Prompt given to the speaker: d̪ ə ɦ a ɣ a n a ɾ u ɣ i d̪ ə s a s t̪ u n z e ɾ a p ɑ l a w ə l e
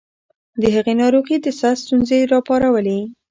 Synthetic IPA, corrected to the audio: d̪ ə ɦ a ɣ e n ɑ ɾ u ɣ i d̪ ə s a s t̪ u n z e ɾ ɑ p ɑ ɾ a w ə l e